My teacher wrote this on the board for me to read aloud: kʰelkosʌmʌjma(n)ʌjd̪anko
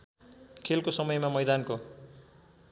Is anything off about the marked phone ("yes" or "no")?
yes